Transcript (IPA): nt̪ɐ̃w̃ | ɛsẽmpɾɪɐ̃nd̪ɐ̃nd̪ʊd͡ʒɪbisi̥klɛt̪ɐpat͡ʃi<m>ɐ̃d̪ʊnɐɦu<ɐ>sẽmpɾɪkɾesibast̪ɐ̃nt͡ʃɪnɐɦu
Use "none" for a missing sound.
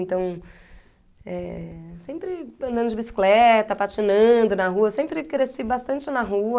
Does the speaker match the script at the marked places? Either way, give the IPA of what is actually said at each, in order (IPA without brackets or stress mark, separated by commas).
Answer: n, ɐ